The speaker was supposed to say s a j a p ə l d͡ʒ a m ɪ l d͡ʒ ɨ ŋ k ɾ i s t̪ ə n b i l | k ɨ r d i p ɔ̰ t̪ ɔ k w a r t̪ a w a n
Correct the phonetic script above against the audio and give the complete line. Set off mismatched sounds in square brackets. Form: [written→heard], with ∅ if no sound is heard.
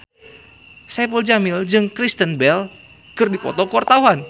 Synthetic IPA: s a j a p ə l d͡ʒ a m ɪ l d͡ʒ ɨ ŋ k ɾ i s t̪ ə n b [i→ɛ] l | k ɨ r d i p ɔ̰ t̪ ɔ k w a r t̪ a w a n